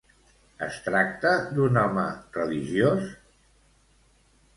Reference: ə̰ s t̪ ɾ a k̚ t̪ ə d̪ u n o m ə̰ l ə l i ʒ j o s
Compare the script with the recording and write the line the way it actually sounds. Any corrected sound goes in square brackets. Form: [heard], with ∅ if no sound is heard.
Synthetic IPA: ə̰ s t̪ ɾ a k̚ t̪ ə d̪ u n [ɔ] m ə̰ [r] ə l i ʒ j o s